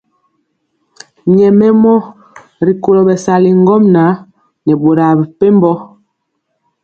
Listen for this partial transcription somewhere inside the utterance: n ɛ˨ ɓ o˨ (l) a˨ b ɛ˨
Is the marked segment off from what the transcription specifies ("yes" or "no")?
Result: yes